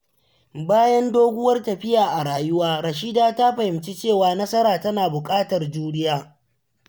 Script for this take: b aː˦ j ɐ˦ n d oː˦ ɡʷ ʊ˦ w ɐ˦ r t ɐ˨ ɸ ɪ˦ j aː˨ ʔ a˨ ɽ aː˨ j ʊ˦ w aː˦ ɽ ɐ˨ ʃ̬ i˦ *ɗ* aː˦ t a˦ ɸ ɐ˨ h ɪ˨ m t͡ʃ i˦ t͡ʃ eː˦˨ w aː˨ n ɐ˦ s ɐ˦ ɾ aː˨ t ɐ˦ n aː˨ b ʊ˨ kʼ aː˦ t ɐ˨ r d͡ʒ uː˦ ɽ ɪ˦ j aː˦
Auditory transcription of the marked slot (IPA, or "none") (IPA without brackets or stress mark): d